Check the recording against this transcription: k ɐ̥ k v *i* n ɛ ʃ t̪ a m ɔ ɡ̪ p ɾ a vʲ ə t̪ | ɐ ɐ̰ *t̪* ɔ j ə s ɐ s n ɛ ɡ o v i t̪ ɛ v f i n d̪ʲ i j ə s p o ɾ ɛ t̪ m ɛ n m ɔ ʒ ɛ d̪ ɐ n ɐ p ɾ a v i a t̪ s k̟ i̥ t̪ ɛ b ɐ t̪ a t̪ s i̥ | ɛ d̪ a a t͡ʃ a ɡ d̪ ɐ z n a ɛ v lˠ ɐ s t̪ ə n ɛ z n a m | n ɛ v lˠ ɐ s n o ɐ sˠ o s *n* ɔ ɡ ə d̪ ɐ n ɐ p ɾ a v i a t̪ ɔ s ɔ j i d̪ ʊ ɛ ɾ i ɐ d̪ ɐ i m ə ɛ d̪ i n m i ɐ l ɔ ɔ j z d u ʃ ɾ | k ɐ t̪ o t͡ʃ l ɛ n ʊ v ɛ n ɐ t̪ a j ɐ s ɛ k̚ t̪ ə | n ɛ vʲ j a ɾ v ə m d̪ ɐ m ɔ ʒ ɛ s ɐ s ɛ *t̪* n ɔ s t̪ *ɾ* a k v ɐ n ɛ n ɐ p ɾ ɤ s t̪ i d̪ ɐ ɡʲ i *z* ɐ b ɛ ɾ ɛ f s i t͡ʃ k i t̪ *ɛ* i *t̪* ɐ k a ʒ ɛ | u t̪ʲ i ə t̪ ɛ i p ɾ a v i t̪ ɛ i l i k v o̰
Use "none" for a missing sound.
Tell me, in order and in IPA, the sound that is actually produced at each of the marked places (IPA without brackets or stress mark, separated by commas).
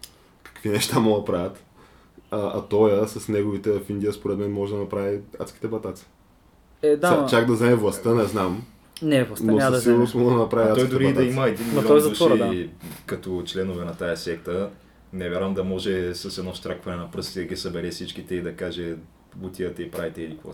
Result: i, t̪, m, d̪, ɾ, s, ɛ, d̪